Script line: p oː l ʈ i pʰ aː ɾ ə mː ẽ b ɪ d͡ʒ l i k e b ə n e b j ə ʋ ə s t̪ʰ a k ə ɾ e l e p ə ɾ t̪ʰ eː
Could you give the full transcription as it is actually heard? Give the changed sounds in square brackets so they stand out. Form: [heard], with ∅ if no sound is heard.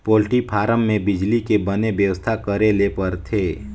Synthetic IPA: p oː l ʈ i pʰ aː ɾ ə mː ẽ b ɪ d͡ʒ l i k e b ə n e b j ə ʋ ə s t̪ʰ a k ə ɾ e l e p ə ɾ t̪ʰ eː